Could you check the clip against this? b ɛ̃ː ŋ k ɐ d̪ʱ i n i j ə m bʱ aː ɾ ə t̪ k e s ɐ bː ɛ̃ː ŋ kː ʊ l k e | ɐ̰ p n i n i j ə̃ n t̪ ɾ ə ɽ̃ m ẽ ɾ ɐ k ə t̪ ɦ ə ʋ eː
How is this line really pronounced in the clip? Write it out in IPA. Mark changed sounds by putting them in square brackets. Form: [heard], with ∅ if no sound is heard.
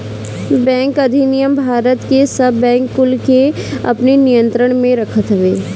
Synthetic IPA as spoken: b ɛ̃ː ŋ k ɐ d̪ʱ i n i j ə m bʱ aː ɾ ə t̪ k e s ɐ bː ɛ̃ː ŋ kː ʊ l k e | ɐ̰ p n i n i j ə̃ n t̪ ɾ ə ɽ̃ m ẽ ɾ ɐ [kʰ] ə t̪ ɦ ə ʋ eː